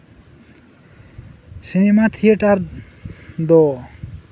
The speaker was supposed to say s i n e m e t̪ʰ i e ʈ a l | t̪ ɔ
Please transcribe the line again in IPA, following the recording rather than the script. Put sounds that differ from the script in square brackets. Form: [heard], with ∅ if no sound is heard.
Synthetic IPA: s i n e m [a] t̪ʰ i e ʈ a [ɾ] | [d̪] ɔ